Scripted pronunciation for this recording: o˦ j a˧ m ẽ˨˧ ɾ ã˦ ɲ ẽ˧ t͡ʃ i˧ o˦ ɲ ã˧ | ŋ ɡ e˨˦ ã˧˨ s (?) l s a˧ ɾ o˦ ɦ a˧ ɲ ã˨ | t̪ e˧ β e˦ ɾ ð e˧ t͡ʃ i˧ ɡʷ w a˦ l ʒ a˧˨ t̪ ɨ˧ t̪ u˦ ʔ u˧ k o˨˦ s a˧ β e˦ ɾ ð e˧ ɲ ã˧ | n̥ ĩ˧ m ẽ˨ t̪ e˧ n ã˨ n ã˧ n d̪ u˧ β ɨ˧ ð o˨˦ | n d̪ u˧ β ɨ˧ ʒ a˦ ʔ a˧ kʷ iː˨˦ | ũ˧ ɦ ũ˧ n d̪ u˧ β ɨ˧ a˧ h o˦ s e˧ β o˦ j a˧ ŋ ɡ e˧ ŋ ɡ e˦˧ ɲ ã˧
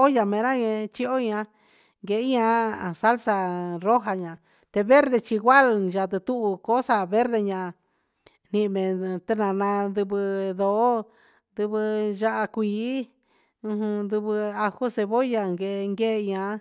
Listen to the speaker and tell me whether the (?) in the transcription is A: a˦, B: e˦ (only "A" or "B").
A